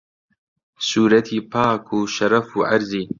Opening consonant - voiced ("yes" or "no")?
no